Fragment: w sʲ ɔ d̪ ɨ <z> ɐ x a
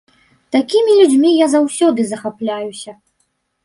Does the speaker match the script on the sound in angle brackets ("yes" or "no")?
yes